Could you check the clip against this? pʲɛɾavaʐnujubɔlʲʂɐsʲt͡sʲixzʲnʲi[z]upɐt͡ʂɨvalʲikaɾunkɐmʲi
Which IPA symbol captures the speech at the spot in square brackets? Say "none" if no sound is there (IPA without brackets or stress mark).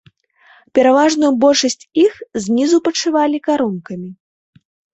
z